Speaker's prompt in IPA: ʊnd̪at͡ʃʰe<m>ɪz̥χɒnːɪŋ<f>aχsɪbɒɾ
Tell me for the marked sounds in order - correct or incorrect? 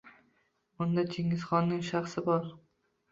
incorrect: ŋ, incorrect: ʃ

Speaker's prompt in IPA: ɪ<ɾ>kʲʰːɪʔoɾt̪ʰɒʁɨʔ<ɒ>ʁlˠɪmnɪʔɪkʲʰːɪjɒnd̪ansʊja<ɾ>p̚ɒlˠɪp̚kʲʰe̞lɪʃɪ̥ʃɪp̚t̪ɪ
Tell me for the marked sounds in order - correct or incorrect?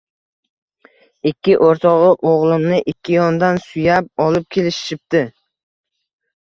incorrect: none, incorrect: o, incorrect: none

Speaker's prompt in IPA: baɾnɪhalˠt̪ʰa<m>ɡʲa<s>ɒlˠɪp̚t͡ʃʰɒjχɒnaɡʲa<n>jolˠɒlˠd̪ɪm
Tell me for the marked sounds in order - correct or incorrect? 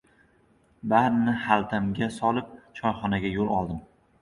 correct, correct, incorrect: none

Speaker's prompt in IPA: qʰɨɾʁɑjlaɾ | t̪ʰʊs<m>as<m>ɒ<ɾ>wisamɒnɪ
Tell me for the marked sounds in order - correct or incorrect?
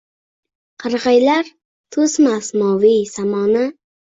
correct, correct, incorrect: none

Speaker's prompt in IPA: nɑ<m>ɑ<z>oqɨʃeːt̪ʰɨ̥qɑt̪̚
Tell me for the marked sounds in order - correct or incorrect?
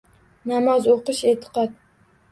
correct, correct

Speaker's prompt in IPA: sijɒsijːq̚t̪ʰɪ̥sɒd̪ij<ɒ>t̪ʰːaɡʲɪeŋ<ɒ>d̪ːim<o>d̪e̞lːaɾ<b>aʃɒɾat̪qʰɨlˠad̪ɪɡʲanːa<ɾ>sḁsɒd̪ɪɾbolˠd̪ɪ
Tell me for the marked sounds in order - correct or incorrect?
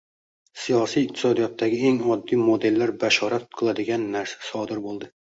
correct, correct, correct, correct, correct

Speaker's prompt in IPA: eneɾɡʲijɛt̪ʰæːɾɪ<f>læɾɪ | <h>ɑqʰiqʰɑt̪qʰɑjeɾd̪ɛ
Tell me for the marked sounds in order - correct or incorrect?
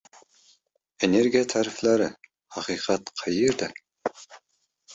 correct, correct

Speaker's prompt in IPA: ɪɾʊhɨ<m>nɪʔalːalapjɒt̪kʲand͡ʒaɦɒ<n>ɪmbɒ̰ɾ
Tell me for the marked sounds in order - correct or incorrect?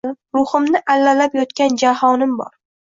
correct, correct

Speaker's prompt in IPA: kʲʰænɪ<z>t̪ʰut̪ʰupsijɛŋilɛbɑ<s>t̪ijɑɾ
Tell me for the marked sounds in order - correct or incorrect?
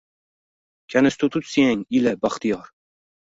incorrect: s, incorrect: χ

